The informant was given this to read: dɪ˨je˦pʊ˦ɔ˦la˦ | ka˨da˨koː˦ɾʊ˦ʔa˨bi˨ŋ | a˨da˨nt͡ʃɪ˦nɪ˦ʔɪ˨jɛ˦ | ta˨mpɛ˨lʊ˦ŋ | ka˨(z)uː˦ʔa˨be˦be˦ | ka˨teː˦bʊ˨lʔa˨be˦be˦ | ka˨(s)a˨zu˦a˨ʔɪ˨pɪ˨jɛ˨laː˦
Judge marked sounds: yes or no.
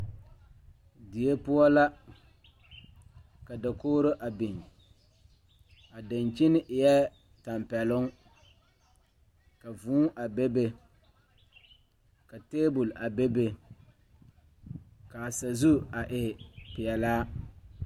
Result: no, yes

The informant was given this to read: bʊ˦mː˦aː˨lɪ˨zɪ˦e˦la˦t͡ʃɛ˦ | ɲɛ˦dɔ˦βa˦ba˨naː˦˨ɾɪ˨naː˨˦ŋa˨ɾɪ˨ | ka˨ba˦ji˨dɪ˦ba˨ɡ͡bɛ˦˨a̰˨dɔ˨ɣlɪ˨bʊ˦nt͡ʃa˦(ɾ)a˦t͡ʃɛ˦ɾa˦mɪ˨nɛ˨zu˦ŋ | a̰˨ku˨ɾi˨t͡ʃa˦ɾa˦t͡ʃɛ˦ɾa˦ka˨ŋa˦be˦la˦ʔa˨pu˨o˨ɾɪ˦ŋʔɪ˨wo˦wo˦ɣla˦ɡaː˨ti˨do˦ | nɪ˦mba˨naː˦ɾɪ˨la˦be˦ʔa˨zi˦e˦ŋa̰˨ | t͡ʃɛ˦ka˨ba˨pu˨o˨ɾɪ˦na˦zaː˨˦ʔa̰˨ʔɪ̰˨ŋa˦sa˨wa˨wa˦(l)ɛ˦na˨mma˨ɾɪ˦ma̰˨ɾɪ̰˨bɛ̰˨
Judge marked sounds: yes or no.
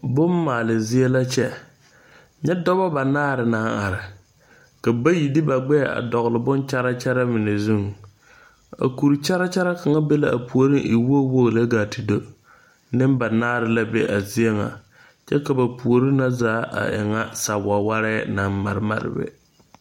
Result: yes, no

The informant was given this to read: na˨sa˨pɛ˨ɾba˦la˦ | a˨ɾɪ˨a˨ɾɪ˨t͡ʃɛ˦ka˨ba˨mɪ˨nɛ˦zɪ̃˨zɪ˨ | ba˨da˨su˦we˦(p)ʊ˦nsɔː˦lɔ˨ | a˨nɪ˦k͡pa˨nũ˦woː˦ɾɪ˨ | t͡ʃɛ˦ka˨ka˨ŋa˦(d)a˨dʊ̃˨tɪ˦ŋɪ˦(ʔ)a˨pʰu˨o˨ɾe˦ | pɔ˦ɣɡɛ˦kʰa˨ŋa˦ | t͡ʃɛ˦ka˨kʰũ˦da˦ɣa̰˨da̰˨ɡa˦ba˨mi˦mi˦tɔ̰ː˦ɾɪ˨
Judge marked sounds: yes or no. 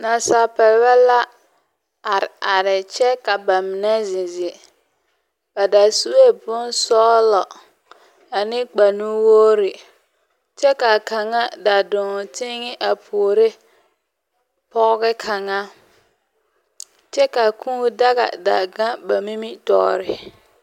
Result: no, yes, yes

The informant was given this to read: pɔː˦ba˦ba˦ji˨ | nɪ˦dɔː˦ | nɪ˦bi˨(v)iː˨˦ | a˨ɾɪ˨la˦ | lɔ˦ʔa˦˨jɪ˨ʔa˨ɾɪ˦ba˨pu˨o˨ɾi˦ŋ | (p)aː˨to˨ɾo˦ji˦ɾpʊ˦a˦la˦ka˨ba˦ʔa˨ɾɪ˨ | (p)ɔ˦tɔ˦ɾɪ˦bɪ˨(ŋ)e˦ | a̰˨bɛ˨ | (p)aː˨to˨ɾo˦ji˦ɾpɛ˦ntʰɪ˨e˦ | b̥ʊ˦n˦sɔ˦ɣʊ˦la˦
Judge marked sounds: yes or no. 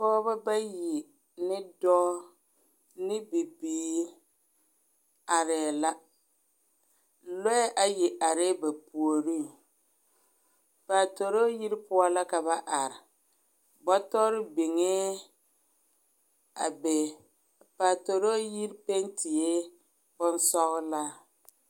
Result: no, yes, no, yes, yes

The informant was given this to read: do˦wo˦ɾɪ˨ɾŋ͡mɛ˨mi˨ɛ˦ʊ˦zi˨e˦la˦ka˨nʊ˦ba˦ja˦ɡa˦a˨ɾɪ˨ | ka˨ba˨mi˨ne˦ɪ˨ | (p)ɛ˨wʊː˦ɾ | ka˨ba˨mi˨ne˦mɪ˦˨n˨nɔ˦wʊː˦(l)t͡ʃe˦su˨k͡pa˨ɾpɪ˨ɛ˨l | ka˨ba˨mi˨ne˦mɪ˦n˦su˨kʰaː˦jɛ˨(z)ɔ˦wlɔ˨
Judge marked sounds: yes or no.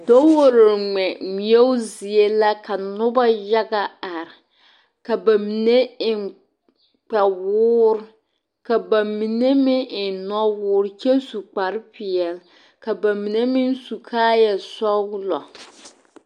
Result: no, no, no

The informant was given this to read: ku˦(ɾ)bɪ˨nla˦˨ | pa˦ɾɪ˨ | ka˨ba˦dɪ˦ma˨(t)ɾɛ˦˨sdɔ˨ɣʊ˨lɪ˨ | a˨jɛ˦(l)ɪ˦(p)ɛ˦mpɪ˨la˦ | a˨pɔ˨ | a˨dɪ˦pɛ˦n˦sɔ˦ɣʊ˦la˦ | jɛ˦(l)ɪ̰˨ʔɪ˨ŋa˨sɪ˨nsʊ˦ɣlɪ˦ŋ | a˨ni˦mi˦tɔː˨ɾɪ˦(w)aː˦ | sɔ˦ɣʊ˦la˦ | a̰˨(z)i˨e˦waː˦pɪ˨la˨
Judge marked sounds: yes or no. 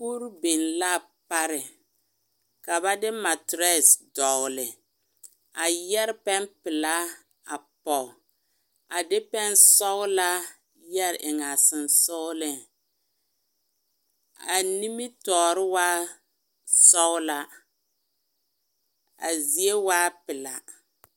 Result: yes, yes, no, yes, no, yes, yes

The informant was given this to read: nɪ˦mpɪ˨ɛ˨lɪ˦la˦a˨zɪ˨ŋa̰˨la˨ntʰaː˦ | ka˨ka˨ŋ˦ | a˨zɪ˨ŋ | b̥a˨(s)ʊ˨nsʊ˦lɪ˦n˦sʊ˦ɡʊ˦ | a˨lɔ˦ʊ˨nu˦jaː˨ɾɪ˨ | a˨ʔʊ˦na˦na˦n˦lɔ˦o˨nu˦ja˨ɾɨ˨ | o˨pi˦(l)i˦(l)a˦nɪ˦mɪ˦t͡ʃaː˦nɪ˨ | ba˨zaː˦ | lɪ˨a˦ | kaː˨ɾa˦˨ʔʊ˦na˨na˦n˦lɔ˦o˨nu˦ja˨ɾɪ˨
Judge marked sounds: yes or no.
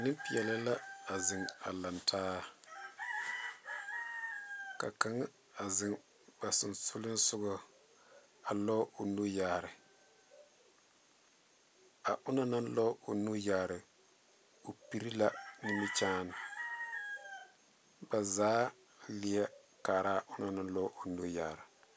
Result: yes, no, yes

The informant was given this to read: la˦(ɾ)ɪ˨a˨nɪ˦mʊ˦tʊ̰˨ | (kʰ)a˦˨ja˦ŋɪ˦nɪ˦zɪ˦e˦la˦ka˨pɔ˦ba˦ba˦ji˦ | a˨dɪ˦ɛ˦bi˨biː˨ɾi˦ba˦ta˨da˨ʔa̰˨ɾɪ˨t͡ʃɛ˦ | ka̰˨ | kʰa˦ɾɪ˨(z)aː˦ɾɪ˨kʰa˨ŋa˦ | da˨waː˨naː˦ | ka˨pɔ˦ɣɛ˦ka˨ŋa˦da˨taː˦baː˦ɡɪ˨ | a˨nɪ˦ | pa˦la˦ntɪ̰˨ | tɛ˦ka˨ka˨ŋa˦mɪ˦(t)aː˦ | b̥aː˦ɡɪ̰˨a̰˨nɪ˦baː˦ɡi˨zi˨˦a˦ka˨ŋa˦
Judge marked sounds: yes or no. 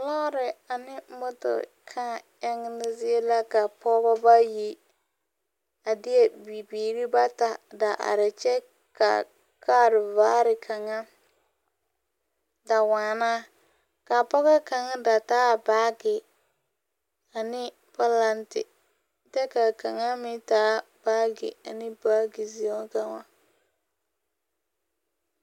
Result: yes, yes, no, yes

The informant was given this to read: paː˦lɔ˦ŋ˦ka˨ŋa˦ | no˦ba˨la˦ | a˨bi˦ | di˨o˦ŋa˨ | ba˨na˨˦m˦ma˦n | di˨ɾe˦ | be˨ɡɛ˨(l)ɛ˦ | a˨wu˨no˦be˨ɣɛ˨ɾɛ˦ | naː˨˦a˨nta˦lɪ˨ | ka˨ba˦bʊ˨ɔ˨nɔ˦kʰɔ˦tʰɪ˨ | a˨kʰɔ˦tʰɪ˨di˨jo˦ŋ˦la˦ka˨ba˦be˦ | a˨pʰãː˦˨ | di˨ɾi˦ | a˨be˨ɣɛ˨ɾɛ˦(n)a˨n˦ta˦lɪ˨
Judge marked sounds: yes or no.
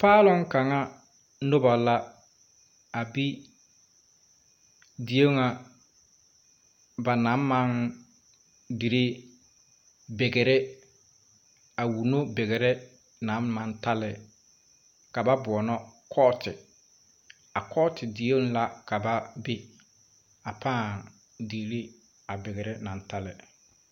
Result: no, yes

